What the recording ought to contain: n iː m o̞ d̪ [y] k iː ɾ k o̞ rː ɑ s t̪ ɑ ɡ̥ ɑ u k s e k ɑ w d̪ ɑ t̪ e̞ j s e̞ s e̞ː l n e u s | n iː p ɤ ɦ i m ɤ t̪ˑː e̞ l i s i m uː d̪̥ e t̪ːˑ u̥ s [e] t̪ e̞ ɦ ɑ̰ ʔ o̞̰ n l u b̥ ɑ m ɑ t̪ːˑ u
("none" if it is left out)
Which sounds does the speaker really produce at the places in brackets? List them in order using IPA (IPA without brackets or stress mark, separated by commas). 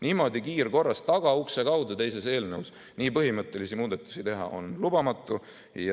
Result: i, i